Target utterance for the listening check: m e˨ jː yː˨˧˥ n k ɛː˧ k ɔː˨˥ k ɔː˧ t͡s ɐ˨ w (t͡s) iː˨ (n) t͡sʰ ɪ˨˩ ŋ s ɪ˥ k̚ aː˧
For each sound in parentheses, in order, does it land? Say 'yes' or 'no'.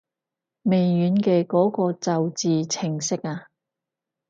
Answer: yes, no

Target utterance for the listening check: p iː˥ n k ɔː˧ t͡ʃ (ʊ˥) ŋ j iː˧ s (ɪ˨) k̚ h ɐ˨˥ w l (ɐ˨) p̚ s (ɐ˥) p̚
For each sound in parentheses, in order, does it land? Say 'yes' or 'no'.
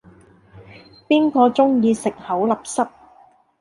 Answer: yes, yes, yes, yes

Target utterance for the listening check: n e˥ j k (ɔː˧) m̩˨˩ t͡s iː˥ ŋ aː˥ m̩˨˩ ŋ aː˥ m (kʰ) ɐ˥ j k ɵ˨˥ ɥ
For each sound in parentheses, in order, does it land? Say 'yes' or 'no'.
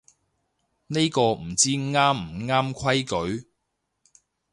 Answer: yes, yes

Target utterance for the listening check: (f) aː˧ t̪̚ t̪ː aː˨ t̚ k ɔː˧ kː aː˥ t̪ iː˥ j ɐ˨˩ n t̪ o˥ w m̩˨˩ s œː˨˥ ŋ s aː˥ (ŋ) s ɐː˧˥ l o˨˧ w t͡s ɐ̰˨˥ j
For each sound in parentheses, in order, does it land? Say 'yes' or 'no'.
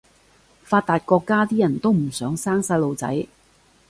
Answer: yes, yes

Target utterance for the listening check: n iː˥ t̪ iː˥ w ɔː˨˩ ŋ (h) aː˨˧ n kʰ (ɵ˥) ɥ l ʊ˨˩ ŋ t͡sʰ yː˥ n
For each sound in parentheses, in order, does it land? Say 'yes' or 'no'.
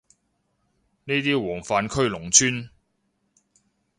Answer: no, yes

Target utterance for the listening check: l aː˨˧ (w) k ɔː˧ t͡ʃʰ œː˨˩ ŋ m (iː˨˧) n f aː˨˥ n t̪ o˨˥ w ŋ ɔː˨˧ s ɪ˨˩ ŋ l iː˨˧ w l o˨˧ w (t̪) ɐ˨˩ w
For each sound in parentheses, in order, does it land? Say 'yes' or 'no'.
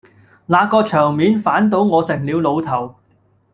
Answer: no, yes, no

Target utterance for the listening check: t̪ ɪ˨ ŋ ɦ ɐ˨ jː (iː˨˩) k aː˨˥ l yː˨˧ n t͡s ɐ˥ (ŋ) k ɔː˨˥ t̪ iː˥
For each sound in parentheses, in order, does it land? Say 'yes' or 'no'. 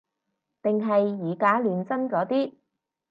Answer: yes, no

